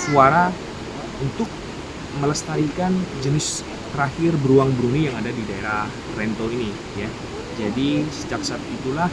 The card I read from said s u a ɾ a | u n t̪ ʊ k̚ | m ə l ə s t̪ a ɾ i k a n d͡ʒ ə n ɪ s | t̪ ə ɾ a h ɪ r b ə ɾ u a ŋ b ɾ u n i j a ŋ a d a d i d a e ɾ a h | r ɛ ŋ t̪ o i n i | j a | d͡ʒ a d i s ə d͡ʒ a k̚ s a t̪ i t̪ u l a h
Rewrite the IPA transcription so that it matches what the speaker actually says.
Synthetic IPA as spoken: s u a ɾ a | u n t̪ ʊ k̚ | m ə l ə s t̪ a ɾ i k a n d͡ʒ ə n ɪ s | t̪ ə ɾ a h ɪ r b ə ɾ u a ŋ b ɾ u n i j a ŋ a d a d i d a e ɾ a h | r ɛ n t̪ o i n i | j a | d͡ʒ a d i s ə d͡ʒ a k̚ s a t̪ i t̪ u l a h